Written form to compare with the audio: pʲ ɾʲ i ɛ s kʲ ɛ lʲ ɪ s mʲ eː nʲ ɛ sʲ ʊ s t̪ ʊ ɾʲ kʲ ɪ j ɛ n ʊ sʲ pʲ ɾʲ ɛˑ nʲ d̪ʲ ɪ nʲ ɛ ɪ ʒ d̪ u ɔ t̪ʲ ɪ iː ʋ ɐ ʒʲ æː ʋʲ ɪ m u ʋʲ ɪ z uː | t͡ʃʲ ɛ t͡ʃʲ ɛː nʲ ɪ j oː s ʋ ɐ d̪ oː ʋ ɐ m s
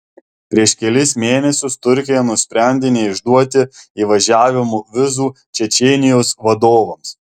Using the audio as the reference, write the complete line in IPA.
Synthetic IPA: pʲ ɾʲ i ɛ ʃ kʲ ɛ lʲ ɪ s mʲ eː nʲ ɛ sʲ ʊ s t̪ ʊ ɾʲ kʲ ɪ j ɛ n ʊ sʲ pʲ ɾʲ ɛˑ nʲ d̪ʲ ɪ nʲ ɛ ɪ ʒ d̪ u ɔ t̪ʲ ɪ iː ʋ ɐ ʒʲ æː ʋʲ ɪ m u ʋʲ ɪ z uː | t͡ʃʲ ɛ t͡ʃʲ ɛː nʲ ɪ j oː s ʋ ɐ d̪ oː ʋ ɐ m s